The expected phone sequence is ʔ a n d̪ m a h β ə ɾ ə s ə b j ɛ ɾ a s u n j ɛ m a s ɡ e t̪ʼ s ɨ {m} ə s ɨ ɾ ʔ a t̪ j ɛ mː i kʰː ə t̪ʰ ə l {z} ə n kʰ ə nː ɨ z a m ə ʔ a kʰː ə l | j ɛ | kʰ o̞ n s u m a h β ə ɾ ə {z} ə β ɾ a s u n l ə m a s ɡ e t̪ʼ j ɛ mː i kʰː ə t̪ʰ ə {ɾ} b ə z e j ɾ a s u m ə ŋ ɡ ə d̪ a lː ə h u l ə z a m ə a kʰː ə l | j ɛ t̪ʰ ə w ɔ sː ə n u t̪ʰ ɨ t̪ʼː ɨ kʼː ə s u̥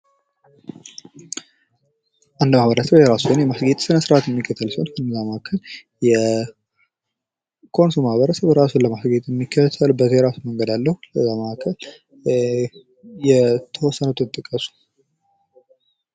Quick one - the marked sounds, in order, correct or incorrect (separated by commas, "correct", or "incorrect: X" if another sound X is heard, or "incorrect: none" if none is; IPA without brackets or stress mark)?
incorrect: n, incorrect: s, incorrect: s, incorrect: l